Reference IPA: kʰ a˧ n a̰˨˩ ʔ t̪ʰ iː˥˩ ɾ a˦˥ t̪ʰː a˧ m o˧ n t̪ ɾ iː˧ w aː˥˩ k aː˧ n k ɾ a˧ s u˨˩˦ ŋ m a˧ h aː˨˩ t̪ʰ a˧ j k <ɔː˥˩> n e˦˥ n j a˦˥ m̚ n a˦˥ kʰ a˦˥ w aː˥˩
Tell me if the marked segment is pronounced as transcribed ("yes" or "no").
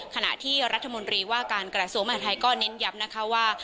yes